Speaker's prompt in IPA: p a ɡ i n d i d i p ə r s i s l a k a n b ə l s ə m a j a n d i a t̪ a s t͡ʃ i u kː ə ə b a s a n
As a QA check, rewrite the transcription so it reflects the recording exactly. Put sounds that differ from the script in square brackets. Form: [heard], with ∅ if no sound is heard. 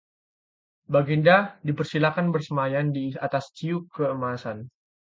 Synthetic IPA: [b] a ɡ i n d [a] d i p ə r s i [∅] l a k a n b ə [r] s ə m a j a n d i a t̪ a s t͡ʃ i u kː ə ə [m] a s a n

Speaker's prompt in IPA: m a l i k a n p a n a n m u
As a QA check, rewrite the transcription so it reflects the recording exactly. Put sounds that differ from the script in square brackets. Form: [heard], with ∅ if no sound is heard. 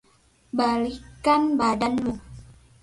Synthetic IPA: [b] a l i k a n [b] a [d] a n m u

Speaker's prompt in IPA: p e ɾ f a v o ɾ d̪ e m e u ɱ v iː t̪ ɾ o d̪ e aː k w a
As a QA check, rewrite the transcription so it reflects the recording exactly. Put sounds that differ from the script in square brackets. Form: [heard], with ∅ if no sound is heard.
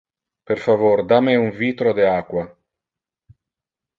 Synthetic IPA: p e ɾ f a v o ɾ d̪ [a] m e u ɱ v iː t̪ ɾ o d̪ e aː k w a

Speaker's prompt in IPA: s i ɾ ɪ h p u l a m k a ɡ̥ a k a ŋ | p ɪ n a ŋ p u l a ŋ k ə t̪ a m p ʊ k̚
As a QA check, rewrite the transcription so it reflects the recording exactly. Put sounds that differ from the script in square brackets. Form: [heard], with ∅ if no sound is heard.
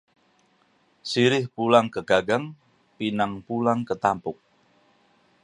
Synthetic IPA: s i ɾ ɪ h p u l a [ŋ] k [ə] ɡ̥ a [ɡ] a ŋ | p [i] n a ŋ p u l a ŋ k ə t̪ a m p ʊ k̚

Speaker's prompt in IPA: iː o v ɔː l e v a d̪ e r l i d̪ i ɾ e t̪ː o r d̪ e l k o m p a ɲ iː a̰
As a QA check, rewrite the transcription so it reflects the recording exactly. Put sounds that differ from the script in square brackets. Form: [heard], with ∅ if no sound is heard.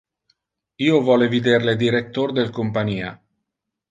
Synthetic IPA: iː o v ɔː l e v [i] d̪ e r l [e] d̪ i ɾ e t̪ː o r d̪ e l k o m p a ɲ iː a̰

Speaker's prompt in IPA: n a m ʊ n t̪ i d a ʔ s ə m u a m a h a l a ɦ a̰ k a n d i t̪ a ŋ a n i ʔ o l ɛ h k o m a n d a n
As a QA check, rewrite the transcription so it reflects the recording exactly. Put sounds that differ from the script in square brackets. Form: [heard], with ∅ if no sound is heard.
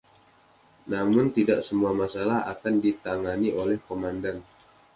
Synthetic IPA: n a m ʊ n t̪ i d a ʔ s ə m u a m a [s] a l a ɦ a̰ k a n d i t̪ a ŋ a n i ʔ o l ɛ h k o m a n d a n

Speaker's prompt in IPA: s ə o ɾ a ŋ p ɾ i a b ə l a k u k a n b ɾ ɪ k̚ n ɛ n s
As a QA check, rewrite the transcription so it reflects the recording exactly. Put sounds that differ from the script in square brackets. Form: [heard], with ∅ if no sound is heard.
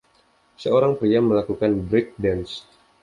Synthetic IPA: s ə o ɾ a ŋ p ɾ i a [m] ə l a k u k a n b ɾ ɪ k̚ [d] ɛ n s

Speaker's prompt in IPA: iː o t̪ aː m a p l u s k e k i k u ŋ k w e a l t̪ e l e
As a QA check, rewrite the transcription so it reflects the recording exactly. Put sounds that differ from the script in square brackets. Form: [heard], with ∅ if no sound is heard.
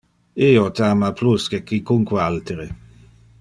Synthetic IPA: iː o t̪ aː m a p l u s k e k i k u ŋ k w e a l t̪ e [ɾ] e

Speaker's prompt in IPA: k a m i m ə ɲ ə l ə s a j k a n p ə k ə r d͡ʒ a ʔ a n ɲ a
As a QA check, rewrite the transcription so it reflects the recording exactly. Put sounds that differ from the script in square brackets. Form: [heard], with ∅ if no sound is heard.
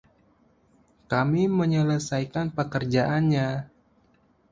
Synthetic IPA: k a m i m ə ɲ ə l ə s a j k a n p ə k ə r d͡ʒ a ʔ a n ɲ a

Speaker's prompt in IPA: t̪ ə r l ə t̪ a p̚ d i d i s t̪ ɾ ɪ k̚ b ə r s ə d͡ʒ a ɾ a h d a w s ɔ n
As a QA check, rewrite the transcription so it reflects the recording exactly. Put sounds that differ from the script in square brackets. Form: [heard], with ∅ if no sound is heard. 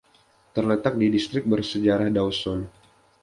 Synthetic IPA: t̪ ə r l ə t̪ a [k̚] d i d i s t̪ ɾ ɪ k̚ b ə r s ə d͡ʒ a ɾ a h d a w s ɔ n

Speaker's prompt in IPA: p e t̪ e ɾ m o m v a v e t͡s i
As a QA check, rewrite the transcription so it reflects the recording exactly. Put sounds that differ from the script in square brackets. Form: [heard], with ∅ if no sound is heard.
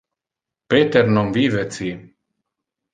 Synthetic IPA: p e t̪ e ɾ [n] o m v [i] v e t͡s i

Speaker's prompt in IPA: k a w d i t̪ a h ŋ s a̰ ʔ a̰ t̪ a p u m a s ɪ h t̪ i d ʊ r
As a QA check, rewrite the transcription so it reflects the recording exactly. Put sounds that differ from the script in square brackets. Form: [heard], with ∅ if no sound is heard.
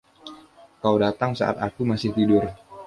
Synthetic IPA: k a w d [a] t̪ a [∅] ŋ s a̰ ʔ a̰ t̪ a [k] u m a s ɪ h t̪ i d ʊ r

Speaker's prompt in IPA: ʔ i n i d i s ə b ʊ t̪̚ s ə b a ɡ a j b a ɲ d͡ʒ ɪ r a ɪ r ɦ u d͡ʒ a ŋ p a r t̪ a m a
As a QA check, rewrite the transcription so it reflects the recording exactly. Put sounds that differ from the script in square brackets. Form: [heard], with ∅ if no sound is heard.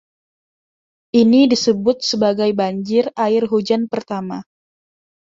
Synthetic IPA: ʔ i n i d i s ə b ʊ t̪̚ s ə b a ɡ a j b a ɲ d͡ʒ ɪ r a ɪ r ɦ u d͡ʒ a [n] p [ə] r t̪ a m a

